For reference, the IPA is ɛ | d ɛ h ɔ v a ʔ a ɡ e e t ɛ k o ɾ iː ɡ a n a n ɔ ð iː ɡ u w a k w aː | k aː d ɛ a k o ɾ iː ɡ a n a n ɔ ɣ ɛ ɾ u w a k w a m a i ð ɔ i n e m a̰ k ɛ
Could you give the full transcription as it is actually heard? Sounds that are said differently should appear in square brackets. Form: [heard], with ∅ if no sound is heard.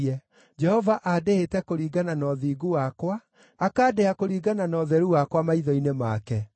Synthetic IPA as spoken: ɛ | [d͡ʒ] ɛ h ɔ v a ʔ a [d] e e t ɛ k o ɾ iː ɡ a n a n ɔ ð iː ɡ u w a k w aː | k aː d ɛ a k o ɾ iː ɡ a n a n ɔ [ð] ɛ ɾ u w a k w a m a i ð ɔ i n e m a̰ k ɛ